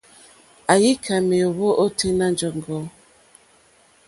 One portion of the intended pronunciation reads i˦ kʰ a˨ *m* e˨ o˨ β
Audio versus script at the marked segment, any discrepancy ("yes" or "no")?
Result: no